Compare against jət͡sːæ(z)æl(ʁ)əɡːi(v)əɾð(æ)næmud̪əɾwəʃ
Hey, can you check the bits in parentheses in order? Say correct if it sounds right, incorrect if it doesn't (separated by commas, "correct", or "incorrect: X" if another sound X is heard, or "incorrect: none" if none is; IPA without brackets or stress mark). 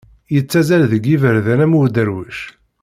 correct, incorrect: ð, correct, correct